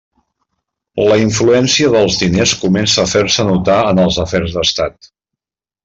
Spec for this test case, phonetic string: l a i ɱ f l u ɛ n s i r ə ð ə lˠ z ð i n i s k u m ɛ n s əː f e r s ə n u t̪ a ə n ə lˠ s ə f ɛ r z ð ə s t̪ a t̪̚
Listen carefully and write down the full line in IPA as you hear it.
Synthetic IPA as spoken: l ə i ɱ f l u ɛ n s i ə ð ə lˠ z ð i n e s k u m ɛ n s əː f e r s ə n u t̪ a ə n ə lˠ z ə f ɛ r z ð ə s t̪ a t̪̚